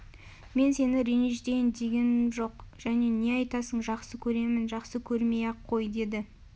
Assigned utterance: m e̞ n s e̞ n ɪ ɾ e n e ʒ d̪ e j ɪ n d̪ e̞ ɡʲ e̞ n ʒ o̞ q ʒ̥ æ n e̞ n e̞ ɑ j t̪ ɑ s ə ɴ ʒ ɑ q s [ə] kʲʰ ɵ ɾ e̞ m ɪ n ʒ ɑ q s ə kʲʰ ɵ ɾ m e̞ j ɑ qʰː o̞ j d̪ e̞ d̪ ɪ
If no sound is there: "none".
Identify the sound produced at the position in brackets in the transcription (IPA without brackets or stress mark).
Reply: ə